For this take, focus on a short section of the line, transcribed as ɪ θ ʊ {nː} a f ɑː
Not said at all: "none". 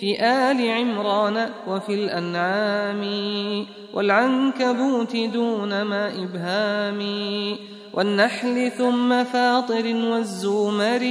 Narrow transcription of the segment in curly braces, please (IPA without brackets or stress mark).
mː